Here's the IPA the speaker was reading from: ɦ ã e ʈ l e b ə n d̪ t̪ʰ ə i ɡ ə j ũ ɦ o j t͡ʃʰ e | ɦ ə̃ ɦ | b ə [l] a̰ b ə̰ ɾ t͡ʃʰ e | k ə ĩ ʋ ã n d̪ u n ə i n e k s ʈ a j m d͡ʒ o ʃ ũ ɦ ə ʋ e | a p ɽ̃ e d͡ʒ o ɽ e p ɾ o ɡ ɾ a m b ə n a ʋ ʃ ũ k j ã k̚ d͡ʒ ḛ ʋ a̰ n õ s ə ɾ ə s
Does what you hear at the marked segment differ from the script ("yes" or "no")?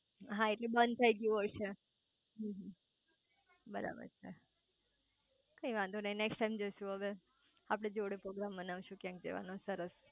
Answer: yes